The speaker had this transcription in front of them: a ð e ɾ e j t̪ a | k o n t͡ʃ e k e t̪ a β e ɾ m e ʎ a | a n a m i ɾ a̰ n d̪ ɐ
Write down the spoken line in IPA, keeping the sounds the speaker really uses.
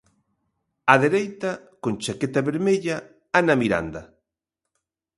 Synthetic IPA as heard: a ð e ɾ e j t̪ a | k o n t͡ʃ a k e t̪ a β e ɾ m e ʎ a | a n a m i ɾ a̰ n d̪ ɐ